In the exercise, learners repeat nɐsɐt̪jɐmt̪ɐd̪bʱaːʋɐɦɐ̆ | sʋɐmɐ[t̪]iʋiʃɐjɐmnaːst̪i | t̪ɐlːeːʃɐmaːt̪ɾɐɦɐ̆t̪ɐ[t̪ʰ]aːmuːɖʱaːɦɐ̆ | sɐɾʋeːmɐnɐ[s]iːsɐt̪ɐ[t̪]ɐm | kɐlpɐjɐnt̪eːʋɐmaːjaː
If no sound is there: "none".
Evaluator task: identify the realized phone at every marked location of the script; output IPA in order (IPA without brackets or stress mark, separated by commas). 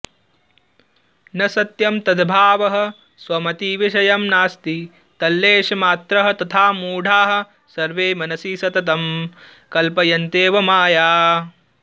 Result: t̪, t̪ʰ, s, t̪